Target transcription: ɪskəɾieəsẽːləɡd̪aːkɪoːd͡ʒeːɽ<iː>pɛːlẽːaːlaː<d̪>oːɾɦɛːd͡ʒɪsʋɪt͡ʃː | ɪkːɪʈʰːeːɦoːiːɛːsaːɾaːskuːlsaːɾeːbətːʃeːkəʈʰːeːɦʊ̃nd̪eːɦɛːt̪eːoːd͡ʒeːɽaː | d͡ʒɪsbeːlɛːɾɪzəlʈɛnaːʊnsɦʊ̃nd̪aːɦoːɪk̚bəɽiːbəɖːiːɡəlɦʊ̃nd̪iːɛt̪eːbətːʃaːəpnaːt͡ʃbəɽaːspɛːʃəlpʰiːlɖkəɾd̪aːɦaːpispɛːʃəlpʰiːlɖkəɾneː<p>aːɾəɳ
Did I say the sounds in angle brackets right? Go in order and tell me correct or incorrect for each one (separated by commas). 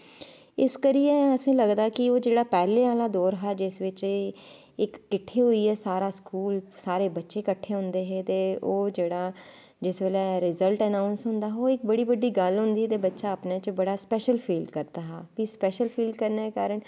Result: incorrect, correct, incorrect